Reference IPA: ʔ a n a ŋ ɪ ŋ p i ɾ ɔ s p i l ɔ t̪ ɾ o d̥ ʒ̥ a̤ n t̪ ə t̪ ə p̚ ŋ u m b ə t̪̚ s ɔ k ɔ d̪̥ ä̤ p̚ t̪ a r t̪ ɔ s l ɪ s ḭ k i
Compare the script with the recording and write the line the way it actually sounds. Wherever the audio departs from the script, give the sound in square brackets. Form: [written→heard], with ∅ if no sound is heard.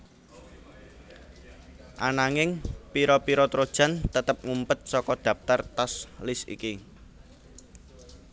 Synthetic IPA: ʔ a n a ŋ ɪ ŋ p i ɾ ɔ [s→∅] p i [l→ɾ] ɔ t̪ ɾ o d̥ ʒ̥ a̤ n t̪ ə t̪ ə p̚ ŋ u m [b→p] ə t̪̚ s ɔ k ɔ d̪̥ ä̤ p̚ t̪ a r t̪ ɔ s l ɪ s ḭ k i